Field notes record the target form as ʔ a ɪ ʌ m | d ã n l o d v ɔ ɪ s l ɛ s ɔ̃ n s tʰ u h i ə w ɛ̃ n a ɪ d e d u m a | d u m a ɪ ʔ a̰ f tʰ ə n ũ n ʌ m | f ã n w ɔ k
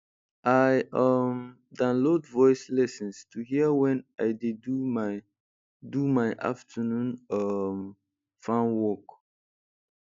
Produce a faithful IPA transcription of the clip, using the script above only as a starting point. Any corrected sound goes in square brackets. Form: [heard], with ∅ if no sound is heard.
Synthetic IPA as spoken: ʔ a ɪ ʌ m | d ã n l o d v ɔ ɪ s l ɛ s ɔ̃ n s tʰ u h i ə w ɛ̃ n a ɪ d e d u m a | d u m a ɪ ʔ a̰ f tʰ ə n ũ n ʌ m | f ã n w ɔ k